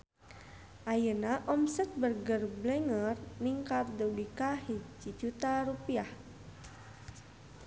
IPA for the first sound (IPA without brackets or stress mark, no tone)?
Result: ʔ